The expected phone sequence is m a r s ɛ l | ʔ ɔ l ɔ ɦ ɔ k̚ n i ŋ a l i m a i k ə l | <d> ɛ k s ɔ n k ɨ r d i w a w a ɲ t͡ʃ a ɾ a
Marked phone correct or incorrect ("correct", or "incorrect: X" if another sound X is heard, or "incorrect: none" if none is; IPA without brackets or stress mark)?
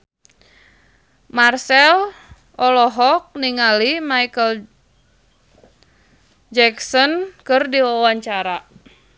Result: incorrect: d͡ʒ